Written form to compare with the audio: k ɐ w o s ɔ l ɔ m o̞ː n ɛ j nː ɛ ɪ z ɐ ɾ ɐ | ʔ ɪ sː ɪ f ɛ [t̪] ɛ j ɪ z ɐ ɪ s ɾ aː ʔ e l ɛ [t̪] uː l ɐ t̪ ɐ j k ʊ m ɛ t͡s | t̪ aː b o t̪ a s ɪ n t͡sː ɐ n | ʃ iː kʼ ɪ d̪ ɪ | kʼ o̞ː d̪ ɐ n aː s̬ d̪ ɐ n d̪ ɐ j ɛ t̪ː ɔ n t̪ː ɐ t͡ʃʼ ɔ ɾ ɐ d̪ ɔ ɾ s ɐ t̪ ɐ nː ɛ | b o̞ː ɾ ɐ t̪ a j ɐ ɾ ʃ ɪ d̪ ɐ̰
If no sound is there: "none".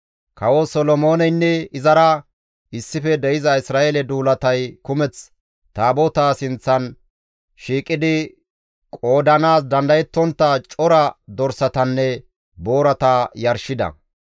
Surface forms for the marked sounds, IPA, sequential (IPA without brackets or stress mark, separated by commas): d̪, d̪